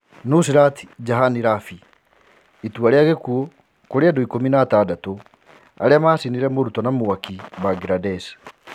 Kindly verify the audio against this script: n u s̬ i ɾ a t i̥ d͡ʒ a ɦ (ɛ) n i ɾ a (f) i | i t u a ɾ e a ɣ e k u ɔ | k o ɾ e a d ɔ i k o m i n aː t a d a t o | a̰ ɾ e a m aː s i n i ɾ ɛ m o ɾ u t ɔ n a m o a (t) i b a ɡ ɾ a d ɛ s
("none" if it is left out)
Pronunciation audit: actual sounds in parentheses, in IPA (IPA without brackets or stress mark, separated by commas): a, f, k